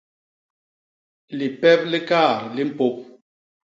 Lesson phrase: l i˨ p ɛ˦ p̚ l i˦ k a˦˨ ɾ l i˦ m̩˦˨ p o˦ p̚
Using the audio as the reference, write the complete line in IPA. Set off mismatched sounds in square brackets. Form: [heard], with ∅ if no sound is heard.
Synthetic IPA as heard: l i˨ p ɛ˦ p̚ l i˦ k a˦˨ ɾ l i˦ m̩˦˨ p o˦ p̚

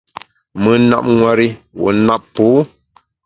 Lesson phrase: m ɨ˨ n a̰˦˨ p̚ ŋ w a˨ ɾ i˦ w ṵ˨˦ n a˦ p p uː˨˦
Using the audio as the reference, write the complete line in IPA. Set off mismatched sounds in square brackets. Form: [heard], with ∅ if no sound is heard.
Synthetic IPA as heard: m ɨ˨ n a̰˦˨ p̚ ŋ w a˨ ɾ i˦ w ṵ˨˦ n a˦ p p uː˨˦

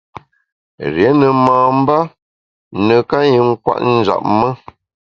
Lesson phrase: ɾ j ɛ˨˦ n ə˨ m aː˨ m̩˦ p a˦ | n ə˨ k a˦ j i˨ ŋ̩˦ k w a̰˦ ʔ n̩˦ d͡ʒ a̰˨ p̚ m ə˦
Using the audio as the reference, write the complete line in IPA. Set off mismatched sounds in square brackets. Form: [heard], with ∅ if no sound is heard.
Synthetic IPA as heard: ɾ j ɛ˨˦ n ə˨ m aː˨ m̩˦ [b] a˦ | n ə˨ k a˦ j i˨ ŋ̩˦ k w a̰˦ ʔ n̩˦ d͡ʒ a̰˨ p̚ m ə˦

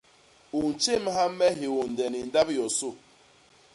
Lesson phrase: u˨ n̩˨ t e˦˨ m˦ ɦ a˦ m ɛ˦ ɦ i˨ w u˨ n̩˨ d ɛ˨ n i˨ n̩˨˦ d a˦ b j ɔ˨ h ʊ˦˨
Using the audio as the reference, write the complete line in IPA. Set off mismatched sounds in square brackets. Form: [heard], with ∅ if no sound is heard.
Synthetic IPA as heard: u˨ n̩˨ [t͡ʃ] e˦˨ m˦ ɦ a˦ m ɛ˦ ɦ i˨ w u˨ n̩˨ d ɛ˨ n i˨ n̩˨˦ d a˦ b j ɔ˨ [s] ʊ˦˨

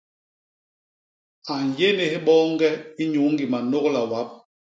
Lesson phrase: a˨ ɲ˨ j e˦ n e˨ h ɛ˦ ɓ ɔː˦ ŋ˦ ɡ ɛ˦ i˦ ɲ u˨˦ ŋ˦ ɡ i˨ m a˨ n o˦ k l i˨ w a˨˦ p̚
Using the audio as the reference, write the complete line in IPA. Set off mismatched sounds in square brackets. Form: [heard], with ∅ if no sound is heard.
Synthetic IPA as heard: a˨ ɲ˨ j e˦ n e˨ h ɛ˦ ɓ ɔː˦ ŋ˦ ɡ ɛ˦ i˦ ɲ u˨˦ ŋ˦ ɡ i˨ m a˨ n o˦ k l [a˨] w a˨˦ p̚

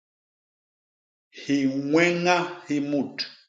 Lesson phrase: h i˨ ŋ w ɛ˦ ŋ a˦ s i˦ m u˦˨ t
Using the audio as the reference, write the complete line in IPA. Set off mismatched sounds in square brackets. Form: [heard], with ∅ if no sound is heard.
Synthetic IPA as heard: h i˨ ŋ w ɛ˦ ŋ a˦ [h] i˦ m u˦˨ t

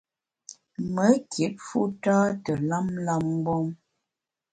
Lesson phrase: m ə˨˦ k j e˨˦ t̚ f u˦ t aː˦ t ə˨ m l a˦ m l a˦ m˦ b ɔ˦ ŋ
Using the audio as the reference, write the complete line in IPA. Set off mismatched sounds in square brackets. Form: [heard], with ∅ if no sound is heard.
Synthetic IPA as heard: m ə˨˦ k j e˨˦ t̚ f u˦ t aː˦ t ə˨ [∅] l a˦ m l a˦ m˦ b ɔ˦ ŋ

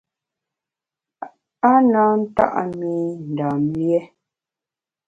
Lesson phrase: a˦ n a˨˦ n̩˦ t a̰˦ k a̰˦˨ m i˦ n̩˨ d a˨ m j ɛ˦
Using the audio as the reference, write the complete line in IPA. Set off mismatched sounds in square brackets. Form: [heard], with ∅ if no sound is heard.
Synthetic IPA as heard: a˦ n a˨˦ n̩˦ t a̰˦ [ʔ] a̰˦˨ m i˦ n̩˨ d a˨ m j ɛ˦

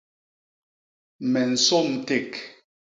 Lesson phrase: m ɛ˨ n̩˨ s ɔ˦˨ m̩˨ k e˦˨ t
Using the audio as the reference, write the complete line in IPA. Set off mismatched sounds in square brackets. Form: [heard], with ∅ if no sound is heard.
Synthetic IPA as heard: m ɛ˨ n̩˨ s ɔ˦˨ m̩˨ [t] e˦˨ [k]

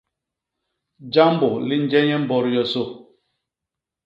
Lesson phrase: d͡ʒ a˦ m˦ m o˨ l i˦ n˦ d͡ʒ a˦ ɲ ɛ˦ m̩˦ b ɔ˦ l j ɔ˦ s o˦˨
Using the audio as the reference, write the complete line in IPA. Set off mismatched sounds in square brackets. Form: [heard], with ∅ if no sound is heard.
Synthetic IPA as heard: d͡ʒ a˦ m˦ [b] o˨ l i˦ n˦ d͡ʒ [ɛ˦] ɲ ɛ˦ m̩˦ b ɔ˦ [ɾ] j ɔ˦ s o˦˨

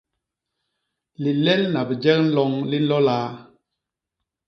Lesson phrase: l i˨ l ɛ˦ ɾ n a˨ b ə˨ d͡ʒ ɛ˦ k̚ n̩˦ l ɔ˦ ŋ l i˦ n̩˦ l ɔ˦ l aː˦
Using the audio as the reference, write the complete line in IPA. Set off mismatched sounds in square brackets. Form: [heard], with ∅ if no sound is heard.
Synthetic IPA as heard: l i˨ l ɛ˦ [l] n a˨ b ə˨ d͡ʒ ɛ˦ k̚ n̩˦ l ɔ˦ ŋ l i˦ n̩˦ l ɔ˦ l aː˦

